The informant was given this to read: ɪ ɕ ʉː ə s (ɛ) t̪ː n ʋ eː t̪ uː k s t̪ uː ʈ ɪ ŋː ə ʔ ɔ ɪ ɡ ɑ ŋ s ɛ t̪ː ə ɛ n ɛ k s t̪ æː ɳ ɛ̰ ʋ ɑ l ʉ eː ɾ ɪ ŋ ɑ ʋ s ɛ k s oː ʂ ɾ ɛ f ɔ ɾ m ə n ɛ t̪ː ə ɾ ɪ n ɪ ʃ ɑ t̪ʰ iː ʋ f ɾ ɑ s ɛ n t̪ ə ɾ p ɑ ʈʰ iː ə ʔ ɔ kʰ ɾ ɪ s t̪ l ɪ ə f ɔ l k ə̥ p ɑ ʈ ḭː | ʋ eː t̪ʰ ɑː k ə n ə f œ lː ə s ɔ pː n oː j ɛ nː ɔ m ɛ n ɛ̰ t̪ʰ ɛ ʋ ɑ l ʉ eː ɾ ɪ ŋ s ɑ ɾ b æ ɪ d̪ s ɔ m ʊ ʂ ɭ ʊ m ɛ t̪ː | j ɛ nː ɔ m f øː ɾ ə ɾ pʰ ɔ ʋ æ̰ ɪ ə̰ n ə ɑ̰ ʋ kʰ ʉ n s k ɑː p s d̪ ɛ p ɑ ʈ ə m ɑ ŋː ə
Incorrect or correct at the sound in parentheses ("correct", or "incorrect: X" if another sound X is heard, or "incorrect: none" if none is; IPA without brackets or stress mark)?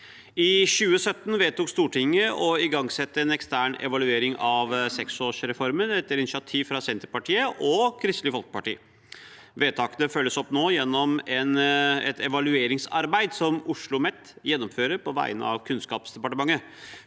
incorrect: œ